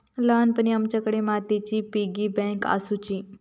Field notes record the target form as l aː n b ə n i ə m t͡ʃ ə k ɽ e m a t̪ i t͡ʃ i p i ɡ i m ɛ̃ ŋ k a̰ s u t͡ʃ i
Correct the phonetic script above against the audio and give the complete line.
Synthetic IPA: l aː n p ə n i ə m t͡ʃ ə k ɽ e m a t̪ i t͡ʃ i p i ɡ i b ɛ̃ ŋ k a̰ s u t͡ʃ i

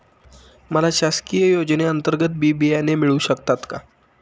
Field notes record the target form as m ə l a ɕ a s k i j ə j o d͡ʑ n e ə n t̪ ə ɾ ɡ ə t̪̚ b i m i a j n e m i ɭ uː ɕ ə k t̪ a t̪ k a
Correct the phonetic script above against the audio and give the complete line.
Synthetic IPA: m ə l a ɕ a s k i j ə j o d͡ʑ n e ə n t̪ ə ɾ ɡ ə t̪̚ b i b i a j n e m i ɭ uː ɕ ə k t̪ a t̪ k a

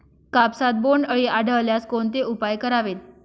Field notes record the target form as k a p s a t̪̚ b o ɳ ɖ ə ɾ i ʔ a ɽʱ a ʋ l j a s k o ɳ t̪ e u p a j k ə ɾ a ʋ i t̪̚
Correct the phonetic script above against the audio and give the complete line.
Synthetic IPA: k a p s a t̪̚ b o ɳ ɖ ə ɭ i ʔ a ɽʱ ə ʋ l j a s k o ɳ t̪ e u p a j k ə ɾ a ʋ e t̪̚

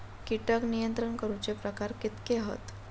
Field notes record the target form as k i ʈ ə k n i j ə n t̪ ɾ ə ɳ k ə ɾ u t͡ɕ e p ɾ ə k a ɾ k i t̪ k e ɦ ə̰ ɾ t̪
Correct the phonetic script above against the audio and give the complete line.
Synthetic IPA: k i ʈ ə k n i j ə n t̪ ɾ ə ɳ k ə ɾ u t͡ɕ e p ɾ ə k a ɾ k i t̪ k e ɦ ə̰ t̪

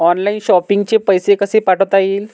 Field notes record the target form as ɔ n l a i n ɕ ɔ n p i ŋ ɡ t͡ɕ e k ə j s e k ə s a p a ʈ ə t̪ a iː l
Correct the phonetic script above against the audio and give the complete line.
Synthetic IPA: ɔ n l a i n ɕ ɔ p i ŋ ɡ t͡ɕ e p ə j s e k ə s e p a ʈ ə t̪ a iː l

